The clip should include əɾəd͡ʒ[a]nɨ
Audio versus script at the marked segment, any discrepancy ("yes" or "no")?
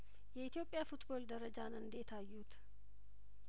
no